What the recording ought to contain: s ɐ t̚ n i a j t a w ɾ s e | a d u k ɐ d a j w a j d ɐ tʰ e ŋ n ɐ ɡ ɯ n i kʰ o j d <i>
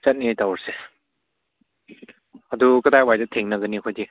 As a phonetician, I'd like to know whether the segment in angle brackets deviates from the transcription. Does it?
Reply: no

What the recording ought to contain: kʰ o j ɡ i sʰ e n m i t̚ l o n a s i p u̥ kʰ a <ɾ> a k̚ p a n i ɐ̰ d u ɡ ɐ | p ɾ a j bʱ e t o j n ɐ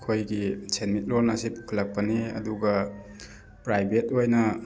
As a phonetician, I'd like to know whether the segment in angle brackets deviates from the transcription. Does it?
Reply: yes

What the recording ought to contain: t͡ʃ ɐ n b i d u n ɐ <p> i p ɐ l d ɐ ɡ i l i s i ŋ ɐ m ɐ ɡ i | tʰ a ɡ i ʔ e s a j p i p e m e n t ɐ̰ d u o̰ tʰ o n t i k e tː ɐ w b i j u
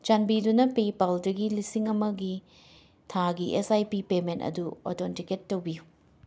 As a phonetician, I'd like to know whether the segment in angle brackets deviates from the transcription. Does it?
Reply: no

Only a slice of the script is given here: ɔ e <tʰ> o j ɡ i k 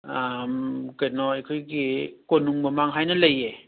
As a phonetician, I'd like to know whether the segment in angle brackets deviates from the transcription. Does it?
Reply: yes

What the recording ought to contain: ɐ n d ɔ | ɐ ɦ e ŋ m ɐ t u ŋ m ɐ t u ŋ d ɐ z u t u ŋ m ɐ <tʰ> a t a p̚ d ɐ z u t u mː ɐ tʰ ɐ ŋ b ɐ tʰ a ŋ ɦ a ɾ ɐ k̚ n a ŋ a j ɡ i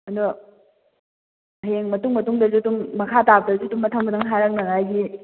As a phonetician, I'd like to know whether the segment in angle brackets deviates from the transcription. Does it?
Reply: yes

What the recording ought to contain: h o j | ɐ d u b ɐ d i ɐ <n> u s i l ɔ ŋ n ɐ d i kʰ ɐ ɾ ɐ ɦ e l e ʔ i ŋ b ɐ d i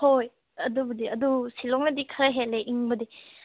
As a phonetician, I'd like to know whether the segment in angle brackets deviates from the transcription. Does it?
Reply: yes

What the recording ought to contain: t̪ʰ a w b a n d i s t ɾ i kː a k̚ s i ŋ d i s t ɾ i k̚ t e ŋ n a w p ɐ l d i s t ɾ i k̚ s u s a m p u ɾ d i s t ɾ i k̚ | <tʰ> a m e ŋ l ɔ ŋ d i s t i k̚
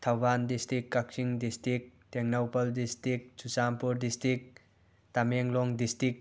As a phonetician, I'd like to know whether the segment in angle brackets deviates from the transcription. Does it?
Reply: yes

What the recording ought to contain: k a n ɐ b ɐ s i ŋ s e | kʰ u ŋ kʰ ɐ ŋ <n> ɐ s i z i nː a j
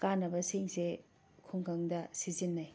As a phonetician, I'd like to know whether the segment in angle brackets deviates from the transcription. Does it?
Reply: yes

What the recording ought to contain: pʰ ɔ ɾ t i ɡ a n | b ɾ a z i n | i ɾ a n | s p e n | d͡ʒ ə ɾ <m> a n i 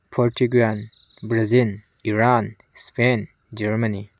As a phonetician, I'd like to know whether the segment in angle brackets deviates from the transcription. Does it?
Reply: no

